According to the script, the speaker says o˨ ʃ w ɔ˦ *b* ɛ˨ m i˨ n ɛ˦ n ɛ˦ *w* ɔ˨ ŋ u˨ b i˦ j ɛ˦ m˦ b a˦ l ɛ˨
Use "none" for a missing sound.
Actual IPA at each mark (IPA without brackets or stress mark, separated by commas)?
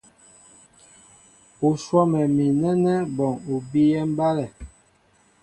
m, b